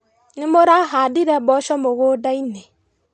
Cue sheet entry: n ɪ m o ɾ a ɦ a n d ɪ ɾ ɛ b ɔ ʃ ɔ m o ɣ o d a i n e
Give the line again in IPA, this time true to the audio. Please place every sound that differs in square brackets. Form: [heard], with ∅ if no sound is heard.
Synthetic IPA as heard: n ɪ m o ɾ a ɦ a [∅] d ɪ ɾ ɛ b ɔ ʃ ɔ m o ɣ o d a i n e